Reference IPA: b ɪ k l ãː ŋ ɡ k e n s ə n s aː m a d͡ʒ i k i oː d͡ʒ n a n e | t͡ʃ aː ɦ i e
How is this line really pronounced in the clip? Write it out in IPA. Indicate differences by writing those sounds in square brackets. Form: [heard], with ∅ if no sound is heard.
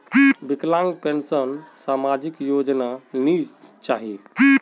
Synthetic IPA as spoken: b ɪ k l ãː ŋ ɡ [p] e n s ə n s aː m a d͡ʒ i k [j] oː d͡ʒ n a n [i] | t͡ʃ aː ɦ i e